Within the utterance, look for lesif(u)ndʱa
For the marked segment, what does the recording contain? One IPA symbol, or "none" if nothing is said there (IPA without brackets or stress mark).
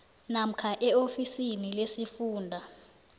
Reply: uː